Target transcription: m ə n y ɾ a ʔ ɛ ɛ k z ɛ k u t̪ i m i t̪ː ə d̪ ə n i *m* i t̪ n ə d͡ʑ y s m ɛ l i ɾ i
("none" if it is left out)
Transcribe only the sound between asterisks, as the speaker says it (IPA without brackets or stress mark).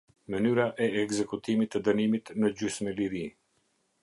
m